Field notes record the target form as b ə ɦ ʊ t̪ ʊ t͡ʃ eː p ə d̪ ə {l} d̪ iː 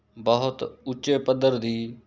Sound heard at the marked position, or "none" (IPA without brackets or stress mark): ɾ